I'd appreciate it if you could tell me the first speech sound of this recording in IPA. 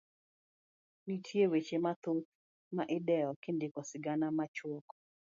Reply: n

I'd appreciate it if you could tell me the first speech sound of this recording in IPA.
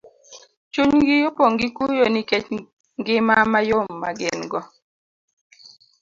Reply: t͡ʃ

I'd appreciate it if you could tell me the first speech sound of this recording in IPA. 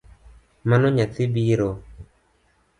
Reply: m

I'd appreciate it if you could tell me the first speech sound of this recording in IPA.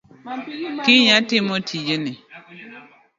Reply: k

